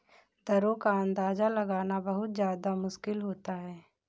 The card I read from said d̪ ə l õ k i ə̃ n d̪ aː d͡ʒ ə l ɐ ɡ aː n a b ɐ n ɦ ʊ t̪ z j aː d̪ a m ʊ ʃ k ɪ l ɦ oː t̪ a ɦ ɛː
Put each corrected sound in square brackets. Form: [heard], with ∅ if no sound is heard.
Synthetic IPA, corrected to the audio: d̪ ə [ɾ] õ k [a] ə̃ n d̪ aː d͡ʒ [a] l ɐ ɡ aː n a b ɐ [∅] ɦ ʊ t̪ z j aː d̪ a m ʊ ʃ k ɪ l ɦ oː t̪ a ɦ ɛː

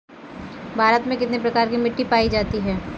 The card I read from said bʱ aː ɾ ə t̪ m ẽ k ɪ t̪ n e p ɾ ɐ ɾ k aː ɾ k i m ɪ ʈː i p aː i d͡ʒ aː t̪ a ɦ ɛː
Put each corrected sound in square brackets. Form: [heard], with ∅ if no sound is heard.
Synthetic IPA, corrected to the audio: bʱ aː ɾ ə t̪ m ẽ k ɪ t̪ n e p ɾ ɐ [∅] k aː ɾ k i m ɪ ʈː i p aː i d͡ʒ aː t̪ [i] ɦ ɛː

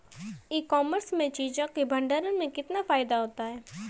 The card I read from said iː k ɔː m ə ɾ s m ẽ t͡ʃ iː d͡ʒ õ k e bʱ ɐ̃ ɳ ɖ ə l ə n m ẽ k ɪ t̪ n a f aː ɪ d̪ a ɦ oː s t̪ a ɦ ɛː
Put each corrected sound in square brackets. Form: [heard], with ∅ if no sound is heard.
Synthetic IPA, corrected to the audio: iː k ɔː m ə ɾ s m ẽ t͡ʃ iː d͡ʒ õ k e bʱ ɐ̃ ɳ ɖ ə [ɾ] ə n m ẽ k ɪ t̪ n a f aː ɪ d̪ a ɦ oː [∅] t̪ a ɦ ɛː

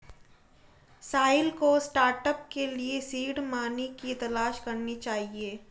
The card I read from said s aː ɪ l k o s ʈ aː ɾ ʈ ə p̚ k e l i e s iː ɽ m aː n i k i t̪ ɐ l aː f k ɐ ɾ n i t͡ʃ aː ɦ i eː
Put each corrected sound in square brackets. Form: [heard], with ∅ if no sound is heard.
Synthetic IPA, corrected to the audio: s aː ɪ l k o s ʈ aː ɾ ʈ ə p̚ k e l i e s iː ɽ m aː n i k i t̪ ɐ l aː [ʃ] k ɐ ɾ n i t͡ʃ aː ɦ i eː

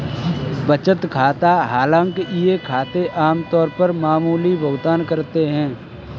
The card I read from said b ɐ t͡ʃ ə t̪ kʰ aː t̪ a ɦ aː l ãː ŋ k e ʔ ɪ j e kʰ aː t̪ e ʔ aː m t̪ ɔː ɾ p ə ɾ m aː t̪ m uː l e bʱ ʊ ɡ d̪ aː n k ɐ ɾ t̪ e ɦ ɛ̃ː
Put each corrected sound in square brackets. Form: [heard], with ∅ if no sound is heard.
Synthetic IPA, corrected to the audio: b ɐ t͡ʃ ə t̪ kʰ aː t̪ a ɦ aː l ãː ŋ k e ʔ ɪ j e kʰ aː t̪ e ʔ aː m t̪ ɔː ɾ p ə ɾ m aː [∅] m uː l [i] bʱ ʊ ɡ d̪ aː n k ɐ ɾ t̪ e ɦ ɛ̃ː

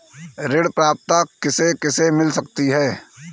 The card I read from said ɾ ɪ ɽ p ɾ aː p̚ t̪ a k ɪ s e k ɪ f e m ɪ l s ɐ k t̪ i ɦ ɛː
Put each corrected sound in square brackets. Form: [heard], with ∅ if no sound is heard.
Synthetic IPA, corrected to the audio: ɾ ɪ ɽ p ɾ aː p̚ t̪ a k ɪ s e k ɪ [s] e m ɪ l s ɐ k t̪ i ɦ ɛː

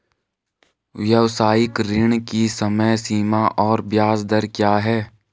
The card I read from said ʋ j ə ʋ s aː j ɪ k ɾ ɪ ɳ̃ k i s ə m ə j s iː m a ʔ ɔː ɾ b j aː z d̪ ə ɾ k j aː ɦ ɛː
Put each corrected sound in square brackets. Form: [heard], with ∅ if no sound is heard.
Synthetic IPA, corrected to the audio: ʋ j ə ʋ s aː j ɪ k ɾ ɪ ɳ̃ k i s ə m ə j s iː m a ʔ ɔː ɾ b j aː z d̪ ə ɾ k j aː ɦ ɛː

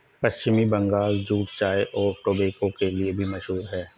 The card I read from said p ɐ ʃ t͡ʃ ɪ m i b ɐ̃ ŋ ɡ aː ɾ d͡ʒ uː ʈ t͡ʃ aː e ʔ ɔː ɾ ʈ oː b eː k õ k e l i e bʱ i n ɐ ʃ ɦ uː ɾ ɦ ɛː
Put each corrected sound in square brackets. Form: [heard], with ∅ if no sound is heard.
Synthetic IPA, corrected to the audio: p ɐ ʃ t͡ʃ ɪ m i b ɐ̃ ŋ ɡ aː [l] d͡ʒ uː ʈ t͡ʃ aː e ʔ ɔː ɾ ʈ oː b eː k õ k e l i e bʱ i [m] ɐ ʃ ɦ uː ɾ ɦ ɛː

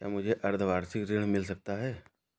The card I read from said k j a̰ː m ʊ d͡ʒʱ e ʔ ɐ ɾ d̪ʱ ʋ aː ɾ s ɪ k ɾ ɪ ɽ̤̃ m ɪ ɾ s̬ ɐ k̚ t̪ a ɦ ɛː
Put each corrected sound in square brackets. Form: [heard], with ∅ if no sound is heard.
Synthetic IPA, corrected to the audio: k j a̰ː m ʊ d͡ʒʱ e ʔ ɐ ɾ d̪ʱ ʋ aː ɾ s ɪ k ɾ ɪ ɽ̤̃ m ɪ [l] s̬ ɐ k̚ t̪ a ɦ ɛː

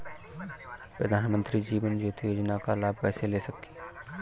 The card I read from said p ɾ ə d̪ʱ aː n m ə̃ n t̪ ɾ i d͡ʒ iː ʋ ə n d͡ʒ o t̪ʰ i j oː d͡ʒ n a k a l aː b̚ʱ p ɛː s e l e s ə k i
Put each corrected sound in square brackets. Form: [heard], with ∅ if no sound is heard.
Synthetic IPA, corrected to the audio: p ɾ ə d̪ʱ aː n m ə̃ n t̪ ɾ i d͡ʒ iː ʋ ə n d͡ʒ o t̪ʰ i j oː d͡ʒ n a k a l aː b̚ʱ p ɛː s e l e s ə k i

